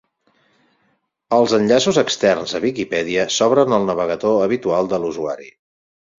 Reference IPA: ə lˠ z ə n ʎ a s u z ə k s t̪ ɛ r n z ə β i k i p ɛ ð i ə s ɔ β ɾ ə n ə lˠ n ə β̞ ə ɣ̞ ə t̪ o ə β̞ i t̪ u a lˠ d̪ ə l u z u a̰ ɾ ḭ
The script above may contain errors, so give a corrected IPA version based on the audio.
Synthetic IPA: ə lˠ z ə n ʎ a s u z ə k s t̪ ɛ r n z ə β i k i p ɛ ð i ə s ɔ β ɾ ə n ə lˠ n ə β̞ ə ɣ̞ ə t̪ o ə β̞ i t̪ u a lˠ d̪ ə l u z u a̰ ɾ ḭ

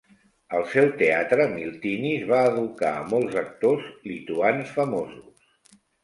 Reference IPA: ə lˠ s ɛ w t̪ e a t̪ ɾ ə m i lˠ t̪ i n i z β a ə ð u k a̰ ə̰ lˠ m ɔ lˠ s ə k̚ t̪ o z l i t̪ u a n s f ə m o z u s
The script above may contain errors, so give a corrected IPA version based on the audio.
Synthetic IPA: ə lˠ s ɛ w t̪ e a t̪ ɾ ə m i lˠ t̪ i n i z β a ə ð u k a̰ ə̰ m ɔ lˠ z ə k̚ t̪ o z l i t̪ u a n s f ə m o z u s

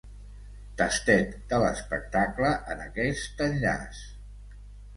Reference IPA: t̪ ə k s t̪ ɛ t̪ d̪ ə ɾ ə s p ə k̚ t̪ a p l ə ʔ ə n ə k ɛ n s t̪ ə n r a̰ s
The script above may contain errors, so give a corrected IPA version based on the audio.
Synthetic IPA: t̪ ə s t̪ ɛ t̪ d̪ ə l ə s p ə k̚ t̪ a k l ə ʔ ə n ə k ɛ s t̪ ə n ʎ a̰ s

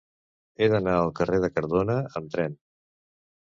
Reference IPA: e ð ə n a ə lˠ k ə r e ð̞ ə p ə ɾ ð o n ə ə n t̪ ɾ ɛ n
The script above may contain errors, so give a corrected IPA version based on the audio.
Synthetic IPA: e ð ə n a ə lˠ k ə r e ð̞ ə k ə ɾ ð o n ə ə m t̪ ɾ ɛ n

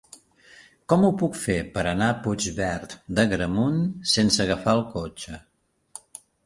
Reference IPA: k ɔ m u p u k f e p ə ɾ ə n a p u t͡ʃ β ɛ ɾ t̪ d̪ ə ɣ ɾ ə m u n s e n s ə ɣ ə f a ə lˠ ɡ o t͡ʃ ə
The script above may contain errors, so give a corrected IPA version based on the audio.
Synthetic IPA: k ɔ m u p u k f e p ə ɾ ə n a p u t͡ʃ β ɛ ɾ t̪ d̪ ə ɣ ɾ ə m u n s e n s ə ɣ ə f a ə lˠ k o t͡ʃ ə

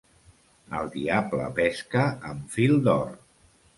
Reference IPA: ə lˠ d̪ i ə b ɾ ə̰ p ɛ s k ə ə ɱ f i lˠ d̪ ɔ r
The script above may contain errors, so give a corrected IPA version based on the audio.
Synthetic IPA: ə lˠ d̪ i a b l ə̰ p ɛ s k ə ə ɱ f i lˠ d̪ ɔ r

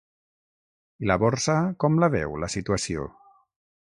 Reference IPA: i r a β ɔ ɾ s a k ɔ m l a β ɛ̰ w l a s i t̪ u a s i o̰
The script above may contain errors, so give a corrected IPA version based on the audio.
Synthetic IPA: i l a β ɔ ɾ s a k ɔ m l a β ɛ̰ w l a s i t̪ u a s i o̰

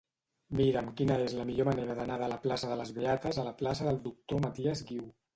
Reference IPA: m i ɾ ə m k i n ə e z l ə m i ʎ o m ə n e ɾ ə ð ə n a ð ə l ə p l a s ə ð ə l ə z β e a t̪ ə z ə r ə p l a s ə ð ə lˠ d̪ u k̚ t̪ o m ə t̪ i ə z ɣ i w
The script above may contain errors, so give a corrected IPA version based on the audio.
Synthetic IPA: m i ɾ ə m k i n ə e z l ə m i ʎ o m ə n e ɾ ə ð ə n a ð ə l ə p l a s ə ð ə l ə z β e a t̪ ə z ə l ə p l a s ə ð ə lˠ d̪ u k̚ t̪ o m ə t̪ i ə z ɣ i w

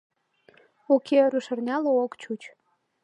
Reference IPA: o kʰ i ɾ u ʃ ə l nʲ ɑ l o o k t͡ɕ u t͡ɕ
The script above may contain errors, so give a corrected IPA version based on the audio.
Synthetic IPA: o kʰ e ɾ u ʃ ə r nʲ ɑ l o o k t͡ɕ u t͡ɕ

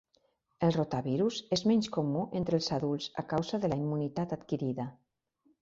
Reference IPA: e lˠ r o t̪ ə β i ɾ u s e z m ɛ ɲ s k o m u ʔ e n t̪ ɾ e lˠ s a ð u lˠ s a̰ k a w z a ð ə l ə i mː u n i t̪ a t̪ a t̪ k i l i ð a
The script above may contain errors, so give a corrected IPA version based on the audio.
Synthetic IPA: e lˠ r o t̪ a β i ɾ u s e z m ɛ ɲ s k o m u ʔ e n t̪ ɾ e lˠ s a ð u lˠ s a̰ k a w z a ð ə l a i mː u n i t̪ a t̪ a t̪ k i ɾ i ð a

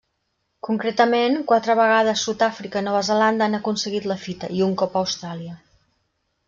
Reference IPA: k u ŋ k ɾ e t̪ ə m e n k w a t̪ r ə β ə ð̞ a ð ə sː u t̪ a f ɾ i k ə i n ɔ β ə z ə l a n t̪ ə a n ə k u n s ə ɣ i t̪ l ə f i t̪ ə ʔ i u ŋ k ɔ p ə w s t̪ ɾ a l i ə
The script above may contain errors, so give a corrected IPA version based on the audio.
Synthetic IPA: k u ŋ k ɾ e t̪ ə m e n k w a t̪ ɾ ə β ə ɣ̞ a ð ə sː u t̪ a f ɾ i k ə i n ɔ β ə z ə l a n d̪ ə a n ə k u n s ə ɣ i t̪ l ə f i t̪ ə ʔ i u ŋ k ɔ p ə w s t̪ ɾ a l i ə

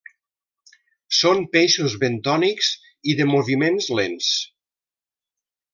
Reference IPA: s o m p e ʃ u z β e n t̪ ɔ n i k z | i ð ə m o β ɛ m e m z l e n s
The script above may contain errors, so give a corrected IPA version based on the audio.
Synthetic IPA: s o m p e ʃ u z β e n t̪ ɔ n i k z | i ð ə m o β i m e n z l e n s

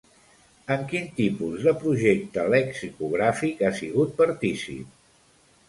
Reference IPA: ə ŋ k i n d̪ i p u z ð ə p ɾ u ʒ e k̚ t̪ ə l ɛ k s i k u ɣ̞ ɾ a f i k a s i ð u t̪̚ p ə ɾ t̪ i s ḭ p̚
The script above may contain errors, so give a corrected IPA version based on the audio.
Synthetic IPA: ə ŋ k i n t̪ i p u z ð ə p ɾ u ʒ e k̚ t̪ ə l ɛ k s i k u ɣ̞ ɾ a f i k a s i ɣ u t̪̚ p ə ɾ t̪ i s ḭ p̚

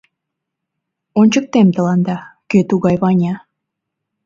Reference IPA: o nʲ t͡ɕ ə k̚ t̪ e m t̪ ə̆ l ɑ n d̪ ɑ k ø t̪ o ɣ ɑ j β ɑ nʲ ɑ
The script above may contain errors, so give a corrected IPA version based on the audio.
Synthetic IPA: o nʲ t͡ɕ ə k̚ t̪ e m t̪ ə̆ l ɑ n d̪ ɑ k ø t̪ u ɣ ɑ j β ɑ nʲ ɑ

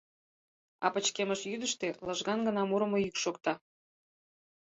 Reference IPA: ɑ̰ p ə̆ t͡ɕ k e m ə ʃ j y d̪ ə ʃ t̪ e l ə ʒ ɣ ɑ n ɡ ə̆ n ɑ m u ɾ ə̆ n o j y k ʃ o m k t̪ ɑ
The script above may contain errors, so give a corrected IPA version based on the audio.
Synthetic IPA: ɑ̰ p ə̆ t͡ɕ k e m ə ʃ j y d̪ ə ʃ t̪ e l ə ʒ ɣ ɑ n ɡ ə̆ n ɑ m u ɾ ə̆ m o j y k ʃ o k t̪ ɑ

